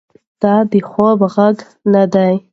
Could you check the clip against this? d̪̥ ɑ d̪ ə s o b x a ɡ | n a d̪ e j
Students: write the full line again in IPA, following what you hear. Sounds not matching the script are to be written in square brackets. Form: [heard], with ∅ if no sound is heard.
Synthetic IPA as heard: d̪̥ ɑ d̪ ə [x] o b [ɣ] a ɡ | n a d̪ [a] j

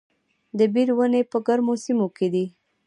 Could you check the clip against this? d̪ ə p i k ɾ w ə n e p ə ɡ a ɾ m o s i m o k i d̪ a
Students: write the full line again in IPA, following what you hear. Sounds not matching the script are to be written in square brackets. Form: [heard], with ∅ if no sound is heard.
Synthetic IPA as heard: d̪ ə [b] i [∅] ɾ w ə n e p ə ɡ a ɾ m o s i m o k [e] d̪ [i]

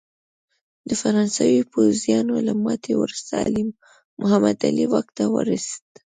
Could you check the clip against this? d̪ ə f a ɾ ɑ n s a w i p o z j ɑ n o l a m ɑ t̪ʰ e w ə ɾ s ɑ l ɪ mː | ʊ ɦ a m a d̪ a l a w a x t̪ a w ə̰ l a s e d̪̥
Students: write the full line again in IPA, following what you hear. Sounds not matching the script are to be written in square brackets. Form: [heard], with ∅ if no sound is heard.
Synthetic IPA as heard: d̪ ə f a ɾ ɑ n s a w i p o z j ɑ n o l a m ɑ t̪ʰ e w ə ɾ s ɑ l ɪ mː | ʊ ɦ a m a d̪ a l [i] w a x t̪ a w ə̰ [ɾ] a s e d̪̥

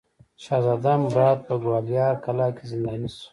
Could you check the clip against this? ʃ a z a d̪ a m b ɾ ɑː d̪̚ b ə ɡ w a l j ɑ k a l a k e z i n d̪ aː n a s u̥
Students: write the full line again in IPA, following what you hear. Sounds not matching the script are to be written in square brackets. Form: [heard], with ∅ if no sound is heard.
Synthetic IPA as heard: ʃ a z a d̪ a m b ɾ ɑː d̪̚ [p] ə ɡ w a l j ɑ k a l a k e z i n d̪ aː n [i] s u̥

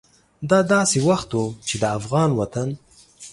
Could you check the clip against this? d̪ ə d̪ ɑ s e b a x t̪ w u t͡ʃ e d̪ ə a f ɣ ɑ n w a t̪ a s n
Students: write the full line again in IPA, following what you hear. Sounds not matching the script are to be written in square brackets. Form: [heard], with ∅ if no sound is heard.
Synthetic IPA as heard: d̪ [ɑ] d̪ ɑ s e [w] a x t̪ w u t͡ʃ e d̪ ə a f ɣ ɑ n w a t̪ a [∅] n

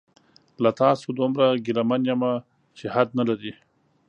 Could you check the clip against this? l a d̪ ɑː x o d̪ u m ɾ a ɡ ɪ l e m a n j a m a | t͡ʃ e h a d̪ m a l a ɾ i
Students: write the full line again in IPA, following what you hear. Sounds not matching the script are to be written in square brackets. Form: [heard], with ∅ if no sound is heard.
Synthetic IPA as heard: l a [t̪] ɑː [s] o d̪ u m ɾ a ɡ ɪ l [a] m a n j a m a | t͡ʃ e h a d̪ [n] a l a ɾ i

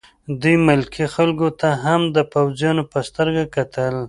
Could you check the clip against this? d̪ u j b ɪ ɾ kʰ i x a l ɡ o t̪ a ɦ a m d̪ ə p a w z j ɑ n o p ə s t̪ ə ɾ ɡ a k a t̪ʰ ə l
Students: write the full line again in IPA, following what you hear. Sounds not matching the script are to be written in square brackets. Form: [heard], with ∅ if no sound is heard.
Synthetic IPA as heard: d̪ u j [m] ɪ [l] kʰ i x a l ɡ o t̪ a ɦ a m d̪ ə p a w z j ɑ n o p ə s t̪ ə ɾ ɡ a k a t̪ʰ ə l

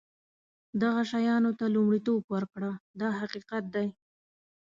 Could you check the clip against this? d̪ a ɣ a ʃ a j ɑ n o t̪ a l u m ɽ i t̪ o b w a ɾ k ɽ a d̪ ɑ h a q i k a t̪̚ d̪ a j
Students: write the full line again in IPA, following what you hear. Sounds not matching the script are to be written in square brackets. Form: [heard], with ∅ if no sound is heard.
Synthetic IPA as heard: d̪ a ɣ a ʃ a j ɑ n o t̪ a l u m ɽ i t̪ o b w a ɾ k ɽ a d̪ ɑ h a q i [q] a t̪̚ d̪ a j

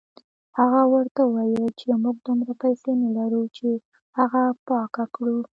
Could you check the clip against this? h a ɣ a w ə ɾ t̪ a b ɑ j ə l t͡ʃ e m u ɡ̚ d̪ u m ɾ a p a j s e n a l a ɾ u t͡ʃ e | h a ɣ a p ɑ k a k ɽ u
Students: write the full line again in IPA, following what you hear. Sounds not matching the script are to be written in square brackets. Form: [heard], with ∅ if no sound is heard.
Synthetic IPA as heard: h a ɣ a w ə ɾ t̪ a [w] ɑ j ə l t͡ʃ e m u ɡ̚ d̪ u m ɾ a p a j s e n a l a ɾ u t͡ʃ e | h a ɣ a p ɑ k a k ɽ u

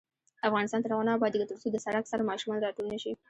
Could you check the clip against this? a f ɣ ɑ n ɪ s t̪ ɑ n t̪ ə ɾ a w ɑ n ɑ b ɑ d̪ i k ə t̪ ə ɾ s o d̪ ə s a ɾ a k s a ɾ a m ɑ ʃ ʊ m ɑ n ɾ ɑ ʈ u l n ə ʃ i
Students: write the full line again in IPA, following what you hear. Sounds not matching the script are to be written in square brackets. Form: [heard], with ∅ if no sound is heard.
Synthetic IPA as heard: a f ɣ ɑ n ɪ s t̪ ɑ n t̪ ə ɾ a w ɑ n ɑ b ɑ d̪ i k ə t̪ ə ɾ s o d̪ ə s a [ɽ] a k s a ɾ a m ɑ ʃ [u] m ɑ n ɾ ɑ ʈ u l n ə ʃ i

